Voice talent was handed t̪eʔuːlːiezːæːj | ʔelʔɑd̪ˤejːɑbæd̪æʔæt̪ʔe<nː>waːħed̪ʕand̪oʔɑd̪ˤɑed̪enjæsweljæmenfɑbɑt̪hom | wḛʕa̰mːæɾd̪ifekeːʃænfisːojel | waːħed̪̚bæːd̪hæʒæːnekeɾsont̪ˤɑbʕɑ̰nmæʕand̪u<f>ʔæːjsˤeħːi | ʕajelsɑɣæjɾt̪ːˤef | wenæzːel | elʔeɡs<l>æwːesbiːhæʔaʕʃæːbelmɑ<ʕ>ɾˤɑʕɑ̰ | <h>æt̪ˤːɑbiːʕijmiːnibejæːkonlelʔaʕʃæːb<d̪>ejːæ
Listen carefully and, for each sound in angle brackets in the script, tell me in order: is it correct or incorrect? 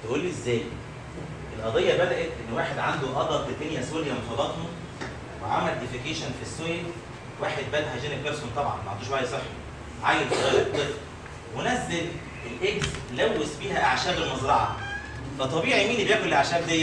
correct, incorrect, correct, incorrect, incorrect, correct

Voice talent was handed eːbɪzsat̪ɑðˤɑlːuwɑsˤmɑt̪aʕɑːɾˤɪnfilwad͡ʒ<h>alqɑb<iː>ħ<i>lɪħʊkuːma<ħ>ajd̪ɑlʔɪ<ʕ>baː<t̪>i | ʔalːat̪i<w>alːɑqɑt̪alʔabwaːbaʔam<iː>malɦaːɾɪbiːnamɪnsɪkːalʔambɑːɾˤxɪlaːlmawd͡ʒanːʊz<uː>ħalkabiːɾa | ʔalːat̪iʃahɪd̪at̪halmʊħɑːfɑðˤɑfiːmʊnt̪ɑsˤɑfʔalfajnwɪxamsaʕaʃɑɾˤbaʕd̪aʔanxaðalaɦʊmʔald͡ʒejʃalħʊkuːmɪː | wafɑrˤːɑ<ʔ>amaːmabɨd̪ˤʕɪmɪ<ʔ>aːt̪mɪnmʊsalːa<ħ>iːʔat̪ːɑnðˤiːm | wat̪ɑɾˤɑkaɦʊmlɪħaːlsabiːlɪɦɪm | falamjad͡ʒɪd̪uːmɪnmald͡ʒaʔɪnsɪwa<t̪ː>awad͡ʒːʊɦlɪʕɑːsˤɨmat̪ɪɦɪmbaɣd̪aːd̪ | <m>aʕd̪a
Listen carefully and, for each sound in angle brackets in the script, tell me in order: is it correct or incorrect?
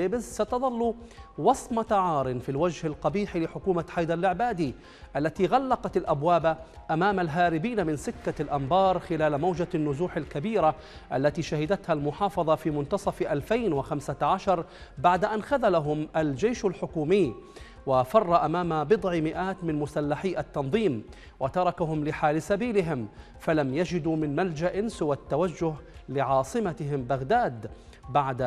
correct, correct, correct, correct, correct, incorrect, incorrect, incorrect, correct, correct, correct, correct, correct, incorrect

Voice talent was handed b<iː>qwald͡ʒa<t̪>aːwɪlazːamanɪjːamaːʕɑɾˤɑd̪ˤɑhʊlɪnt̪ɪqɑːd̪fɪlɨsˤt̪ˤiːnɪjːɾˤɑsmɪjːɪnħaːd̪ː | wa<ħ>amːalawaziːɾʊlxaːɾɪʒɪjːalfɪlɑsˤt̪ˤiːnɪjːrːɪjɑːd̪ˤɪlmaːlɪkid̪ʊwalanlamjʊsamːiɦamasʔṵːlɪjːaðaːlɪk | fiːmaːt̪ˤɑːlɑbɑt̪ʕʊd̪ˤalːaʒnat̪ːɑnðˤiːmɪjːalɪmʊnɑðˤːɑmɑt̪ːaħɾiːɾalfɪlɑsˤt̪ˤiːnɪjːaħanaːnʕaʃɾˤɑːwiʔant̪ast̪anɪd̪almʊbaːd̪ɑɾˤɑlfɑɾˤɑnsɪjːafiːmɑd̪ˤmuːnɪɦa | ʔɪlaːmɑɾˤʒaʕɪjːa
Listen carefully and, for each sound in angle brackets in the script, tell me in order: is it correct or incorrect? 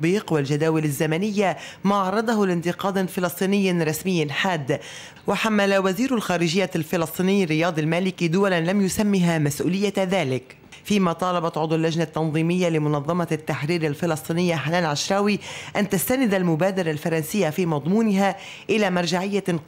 correct, incorrect, correct

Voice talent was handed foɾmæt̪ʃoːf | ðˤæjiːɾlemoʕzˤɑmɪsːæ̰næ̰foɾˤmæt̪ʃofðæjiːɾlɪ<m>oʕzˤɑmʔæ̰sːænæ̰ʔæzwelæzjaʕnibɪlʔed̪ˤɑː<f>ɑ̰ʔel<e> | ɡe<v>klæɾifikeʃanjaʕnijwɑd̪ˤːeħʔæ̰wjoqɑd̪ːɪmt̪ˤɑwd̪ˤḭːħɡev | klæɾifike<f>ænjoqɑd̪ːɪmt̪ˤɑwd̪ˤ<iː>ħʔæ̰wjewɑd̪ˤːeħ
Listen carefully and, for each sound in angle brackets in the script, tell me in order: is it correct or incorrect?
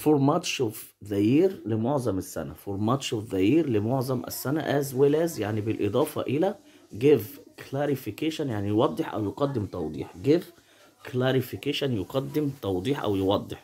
correct, correct, incorrect, correct, incorrect, correct

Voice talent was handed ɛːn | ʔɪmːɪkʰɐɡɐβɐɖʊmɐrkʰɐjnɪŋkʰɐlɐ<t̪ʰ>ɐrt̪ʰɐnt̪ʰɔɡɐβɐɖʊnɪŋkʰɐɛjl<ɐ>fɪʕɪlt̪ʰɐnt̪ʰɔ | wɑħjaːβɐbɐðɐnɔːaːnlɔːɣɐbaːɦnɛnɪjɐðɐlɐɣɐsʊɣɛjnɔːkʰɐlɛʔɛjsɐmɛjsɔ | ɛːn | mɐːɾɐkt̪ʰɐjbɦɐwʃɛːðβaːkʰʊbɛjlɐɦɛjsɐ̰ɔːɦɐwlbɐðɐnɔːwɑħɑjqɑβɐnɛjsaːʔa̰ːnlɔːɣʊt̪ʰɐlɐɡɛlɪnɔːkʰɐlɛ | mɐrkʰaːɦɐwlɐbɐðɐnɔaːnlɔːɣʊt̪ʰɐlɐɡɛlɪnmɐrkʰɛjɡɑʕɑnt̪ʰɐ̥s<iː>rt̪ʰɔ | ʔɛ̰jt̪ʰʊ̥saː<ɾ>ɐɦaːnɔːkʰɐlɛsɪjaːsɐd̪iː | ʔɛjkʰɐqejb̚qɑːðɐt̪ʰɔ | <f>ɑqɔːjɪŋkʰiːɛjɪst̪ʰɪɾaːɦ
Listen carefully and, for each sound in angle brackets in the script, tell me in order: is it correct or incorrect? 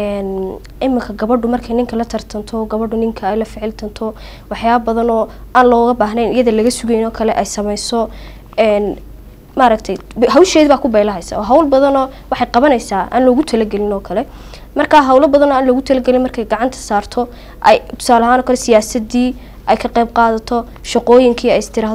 correct, correct, incorrect, incorrect, incorrect

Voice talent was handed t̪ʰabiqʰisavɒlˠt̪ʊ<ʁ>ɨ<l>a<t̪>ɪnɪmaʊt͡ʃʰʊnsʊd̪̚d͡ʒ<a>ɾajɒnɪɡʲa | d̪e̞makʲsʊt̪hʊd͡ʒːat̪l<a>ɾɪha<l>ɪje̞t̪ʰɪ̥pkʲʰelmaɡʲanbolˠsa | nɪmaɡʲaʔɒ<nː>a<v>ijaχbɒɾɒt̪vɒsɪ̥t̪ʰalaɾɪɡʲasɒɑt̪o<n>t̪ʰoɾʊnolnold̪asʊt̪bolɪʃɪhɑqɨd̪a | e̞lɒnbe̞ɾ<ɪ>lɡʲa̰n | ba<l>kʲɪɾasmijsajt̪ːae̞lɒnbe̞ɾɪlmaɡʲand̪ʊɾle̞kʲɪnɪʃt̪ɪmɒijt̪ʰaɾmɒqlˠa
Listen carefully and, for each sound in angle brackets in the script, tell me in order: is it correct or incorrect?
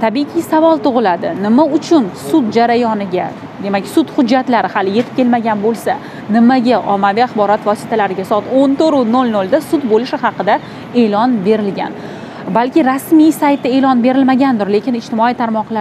correct, correct, incorrect, correct, correct, correct, incorrect, correct, correct, correct, correct

